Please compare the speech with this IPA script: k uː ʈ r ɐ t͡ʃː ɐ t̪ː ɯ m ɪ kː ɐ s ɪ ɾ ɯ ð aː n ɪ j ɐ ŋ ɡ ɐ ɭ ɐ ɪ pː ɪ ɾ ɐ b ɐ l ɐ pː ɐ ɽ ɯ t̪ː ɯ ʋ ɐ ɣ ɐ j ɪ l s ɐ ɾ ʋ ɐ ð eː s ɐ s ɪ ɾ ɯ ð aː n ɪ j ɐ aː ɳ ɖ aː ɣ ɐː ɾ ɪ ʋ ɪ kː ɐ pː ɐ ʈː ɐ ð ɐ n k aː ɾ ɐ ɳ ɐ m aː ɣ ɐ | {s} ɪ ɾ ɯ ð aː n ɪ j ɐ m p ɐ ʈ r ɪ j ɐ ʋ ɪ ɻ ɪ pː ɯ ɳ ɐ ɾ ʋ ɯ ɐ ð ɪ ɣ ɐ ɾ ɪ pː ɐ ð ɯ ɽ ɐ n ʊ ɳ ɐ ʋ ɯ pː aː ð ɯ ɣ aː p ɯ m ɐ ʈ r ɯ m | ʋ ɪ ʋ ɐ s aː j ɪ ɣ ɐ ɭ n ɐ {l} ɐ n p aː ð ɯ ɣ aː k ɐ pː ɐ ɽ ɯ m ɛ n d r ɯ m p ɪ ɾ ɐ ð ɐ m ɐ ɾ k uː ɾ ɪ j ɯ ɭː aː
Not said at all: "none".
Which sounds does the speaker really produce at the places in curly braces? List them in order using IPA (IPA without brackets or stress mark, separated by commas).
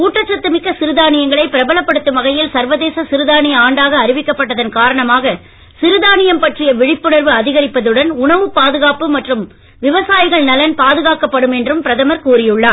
s, l